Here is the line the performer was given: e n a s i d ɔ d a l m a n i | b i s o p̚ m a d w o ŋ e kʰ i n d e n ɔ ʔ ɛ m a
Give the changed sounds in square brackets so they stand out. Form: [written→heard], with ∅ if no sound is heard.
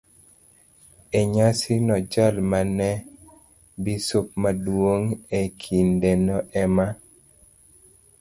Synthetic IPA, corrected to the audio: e [n→ɲ] a s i [d→n] ɔ [d→d͡ʒ] a l m a n [i→ɛ] | b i s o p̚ m a d w o ŋ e kʰ i n d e n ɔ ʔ ɛ m a